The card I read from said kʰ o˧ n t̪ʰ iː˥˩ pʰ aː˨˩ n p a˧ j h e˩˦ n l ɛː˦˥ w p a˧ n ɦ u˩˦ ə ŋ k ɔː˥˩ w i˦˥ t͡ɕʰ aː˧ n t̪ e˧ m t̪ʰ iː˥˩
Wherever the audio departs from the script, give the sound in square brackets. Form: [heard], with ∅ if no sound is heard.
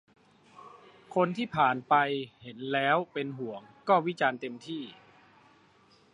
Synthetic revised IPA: kʰ o˧ n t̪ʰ iː˥˩ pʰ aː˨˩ n p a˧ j h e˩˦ n l ɛː˦˥ w p [e˧] n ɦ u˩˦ ə ŋ k ɔː˥˩ w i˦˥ [t͡ɕ] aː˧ n t̪ e˧ m t̪ʰ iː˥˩

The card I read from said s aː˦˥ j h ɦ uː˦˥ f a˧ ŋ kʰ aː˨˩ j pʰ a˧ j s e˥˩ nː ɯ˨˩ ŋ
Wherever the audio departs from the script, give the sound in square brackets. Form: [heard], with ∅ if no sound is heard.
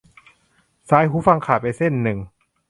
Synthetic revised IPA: s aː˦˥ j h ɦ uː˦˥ f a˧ ŋ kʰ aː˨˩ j [p] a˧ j s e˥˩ nː ɯ˨˩ ŋ

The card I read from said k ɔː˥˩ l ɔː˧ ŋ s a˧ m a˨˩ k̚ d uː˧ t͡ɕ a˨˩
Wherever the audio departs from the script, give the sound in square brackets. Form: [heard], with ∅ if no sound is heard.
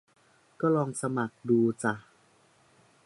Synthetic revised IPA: k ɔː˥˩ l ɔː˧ ŋ s a˧ m a˨˩ k̚ d uː˧ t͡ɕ a˨˩

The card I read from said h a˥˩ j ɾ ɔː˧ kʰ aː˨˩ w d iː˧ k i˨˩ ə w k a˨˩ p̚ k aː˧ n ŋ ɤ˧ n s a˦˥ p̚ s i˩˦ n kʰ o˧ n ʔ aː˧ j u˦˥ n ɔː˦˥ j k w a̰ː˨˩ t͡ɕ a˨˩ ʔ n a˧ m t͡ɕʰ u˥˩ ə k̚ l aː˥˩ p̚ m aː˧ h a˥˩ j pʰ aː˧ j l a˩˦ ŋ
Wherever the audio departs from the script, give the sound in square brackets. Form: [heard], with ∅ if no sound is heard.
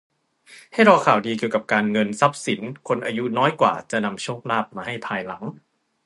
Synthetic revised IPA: h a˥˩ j ɾ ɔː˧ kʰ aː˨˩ w d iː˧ k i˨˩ ə w k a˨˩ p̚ k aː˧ n ŋ ɤ˧ n s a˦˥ p̚ s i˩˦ n kʰ o˧ n ʔ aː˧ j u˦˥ n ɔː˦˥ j k w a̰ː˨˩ t͡ɕ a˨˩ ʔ n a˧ m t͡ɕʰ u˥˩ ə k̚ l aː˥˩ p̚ m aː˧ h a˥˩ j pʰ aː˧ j l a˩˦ ŋ

